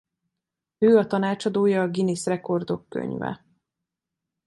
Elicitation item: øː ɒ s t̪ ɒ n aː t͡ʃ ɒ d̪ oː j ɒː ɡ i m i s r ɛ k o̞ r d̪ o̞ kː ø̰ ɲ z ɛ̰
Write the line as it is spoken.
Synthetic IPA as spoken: øː ɒ t̪ ɒ n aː t͡ʃ ɒ d̪ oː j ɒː ɡ i n i s r ɛ k o̞ r d̪ o̞ kː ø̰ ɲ v ɛ̰